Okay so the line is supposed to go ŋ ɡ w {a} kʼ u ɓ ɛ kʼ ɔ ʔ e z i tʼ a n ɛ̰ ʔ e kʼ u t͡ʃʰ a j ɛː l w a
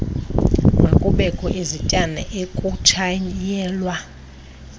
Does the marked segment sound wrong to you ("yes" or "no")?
yes